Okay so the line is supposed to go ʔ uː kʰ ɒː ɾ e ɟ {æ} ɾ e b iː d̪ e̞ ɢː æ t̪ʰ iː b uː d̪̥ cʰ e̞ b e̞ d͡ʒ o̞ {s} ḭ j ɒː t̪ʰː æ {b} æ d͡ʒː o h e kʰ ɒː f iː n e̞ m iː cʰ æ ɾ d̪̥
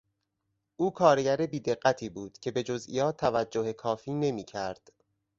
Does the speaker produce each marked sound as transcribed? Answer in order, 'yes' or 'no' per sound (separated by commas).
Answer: yes, no, no